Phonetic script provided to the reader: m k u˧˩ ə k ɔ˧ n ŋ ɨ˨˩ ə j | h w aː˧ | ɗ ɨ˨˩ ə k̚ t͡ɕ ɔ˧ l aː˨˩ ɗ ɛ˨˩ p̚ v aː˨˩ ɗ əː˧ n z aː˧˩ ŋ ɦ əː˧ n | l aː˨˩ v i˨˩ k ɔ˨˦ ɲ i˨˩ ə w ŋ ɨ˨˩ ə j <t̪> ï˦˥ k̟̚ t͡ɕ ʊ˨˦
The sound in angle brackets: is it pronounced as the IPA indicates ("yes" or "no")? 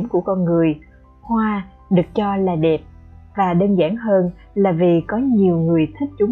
no